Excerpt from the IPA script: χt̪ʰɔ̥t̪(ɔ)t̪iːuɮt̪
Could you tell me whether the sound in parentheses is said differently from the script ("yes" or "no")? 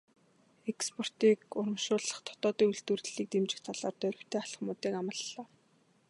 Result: yes